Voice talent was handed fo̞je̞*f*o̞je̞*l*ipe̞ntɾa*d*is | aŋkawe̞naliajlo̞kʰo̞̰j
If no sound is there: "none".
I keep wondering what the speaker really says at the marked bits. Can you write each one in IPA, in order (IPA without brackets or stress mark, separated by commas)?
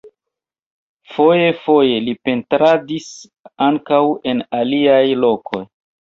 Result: f, l, d